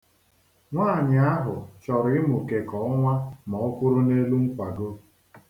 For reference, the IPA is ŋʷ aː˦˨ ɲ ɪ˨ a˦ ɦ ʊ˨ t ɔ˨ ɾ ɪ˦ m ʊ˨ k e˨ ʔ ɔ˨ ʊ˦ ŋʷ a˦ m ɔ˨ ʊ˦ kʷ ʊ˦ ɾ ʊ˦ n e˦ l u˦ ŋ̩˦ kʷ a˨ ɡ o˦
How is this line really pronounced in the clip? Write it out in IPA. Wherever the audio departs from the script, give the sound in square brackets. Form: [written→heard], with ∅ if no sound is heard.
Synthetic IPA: ŋʷ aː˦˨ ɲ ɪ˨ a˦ ɦ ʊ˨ [t→t͡ʃ] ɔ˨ ɾ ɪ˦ m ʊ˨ k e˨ [ʔ→k] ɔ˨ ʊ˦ ŋʷ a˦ m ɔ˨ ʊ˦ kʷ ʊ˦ ɾ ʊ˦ n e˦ l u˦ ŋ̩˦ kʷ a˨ ɡ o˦

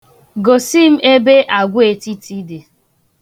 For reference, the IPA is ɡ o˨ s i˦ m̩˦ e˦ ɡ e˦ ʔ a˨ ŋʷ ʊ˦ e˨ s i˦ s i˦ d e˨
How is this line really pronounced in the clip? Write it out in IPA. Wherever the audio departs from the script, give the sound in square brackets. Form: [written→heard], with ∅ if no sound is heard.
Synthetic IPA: ɡ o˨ s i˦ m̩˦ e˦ [ɡ→b] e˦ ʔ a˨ [ŋʷ→ɡʷ] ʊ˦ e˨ [s→t] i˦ [s→t] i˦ d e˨

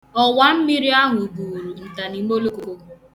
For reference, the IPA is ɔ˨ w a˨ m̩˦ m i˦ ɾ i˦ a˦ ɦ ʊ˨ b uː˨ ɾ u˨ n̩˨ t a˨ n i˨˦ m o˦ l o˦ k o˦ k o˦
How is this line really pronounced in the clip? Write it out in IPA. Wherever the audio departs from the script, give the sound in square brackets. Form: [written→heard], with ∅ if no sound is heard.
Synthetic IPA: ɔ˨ w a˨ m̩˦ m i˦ ɾ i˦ a˦ ɦ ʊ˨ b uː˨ ɾ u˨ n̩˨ t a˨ n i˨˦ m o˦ l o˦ k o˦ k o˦

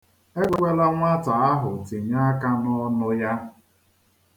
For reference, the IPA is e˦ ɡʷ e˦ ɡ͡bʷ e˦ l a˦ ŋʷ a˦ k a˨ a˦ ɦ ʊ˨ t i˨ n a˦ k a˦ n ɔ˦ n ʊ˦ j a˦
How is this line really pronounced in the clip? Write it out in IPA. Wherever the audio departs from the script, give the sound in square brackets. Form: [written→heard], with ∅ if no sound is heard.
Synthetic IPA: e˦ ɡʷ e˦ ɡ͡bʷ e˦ l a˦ ŋʷ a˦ [k→t] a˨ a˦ ɦ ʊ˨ t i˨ [n→ɲ] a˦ k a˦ n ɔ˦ n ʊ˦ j a˦

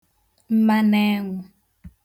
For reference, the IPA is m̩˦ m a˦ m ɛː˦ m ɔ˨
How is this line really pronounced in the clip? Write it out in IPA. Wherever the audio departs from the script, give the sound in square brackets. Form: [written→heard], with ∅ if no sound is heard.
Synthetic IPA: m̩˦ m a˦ [m→n] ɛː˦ [m→ŋ] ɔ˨

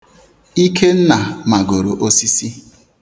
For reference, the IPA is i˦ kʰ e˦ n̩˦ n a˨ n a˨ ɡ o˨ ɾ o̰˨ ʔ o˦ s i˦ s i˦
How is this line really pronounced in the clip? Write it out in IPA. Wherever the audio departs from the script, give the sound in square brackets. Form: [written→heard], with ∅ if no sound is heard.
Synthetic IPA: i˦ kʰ e˦ n̩˦ n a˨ [n→m] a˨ ɡ o˨ ɾ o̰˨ ʔ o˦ s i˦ s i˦

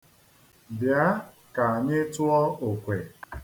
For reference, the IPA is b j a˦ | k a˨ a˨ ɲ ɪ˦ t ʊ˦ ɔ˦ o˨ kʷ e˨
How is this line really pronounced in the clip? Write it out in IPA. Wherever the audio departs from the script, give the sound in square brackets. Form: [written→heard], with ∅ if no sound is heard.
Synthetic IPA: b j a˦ | k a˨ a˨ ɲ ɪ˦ t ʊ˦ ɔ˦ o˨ kʷ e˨

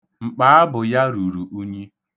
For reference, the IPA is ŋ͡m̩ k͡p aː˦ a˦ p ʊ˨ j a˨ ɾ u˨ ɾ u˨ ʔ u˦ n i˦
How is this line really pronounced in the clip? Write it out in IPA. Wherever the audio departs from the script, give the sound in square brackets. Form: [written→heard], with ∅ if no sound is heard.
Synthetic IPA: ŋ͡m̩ k͡p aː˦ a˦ [p→b] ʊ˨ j [a˨→a˦] ɾ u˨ ɾ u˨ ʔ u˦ [n→ɲ] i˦

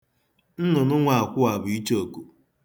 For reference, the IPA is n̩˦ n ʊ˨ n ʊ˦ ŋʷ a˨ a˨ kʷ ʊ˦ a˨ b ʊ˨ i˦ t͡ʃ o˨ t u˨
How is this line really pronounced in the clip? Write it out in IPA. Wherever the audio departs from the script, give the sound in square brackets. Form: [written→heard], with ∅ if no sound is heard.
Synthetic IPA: n̩˦ n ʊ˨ n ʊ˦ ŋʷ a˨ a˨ kʷ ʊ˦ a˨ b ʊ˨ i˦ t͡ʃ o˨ [t→k] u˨

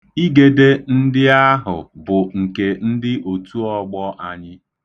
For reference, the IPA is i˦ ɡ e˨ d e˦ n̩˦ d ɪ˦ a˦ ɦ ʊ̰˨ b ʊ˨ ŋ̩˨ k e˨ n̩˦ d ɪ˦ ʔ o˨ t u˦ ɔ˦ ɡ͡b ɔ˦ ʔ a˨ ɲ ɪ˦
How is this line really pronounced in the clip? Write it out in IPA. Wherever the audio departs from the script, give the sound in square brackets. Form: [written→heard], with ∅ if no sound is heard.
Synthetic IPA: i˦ ɡ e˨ d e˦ n̩˦ d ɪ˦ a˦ ɦ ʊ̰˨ b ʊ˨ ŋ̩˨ k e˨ n̩˦ d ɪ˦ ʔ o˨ t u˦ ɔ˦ ɡ͡b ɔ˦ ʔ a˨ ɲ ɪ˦

